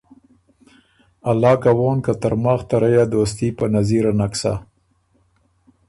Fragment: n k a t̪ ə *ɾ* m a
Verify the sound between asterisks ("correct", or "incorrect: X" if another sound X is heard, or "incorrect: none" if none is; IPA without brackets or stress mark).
correct